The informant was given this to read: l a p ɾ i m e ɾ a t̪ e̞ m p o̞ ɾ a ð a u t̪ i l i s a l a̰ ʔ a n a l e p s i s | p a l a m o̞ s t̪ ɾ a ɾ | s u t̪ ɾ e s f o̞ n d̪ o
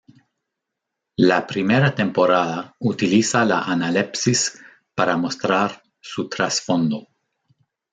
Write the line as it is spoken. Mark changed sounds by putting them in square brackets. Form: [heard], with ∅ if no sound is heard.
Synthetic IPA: l a p ɾ i m e ɾ a t̪ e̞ m p o̞ ɾ a ð a u t̪ i l i s a l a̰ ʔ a n a l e p s i s | p a [ɾ] a m o̞ s t̪ ɾ a ɾ | s u t̪ ɾ [a] s f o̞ n d̪ o